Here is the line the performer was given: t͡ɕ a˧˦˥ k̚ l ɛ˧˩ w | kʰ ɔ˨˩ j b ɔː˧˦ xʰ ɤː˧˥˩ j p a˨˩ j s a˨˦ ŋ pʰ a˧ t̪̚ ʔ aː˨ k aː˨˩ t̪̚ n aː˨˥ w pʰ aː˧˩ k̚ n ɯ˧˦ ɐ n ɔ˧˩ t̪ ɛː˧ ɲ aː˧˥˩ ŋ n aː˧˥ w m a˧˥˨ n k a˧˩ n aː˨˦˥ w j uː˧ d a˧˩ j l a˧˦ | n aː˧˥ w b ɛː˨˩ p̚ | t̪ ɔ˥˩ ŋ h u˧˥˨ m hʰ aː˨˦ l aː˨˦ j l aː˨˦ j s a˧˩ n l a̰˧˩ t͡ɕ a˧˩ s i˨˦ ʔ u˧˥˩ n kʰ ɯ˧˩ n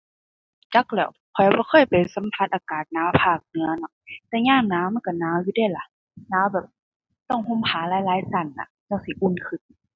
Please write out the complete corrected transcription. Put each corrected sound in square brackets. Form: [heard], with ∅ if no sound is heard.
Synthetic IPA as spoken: t͡ɕ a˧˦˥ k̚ l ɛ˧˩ w | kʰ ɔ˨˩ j b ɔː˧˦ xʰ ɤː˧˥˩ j p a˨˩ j s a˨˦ [m] pʰ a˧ t̪̚ ʔ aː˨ k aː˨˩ t̪̚ n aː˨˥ w pʰ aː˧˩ k̚ n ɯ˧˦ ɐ n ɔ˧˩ t̪ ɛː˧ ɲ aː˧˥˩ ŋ n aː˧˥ w m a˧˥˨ n k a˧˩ n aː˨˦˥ w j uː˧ d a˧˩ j l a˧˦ | n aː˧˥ w b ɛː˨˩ p̚ | t̪ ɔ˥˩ ŋ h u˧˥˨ m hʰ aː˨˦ l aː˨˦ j l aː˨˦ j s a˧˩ n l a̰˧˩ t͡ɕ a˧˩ s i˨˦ ʔ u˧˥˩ n kʰ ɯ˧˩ n